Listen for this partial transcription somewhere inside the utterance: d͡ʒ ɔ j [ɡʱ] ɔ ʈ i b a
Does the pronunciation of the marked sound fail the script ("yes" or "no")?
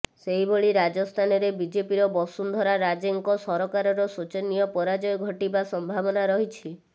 no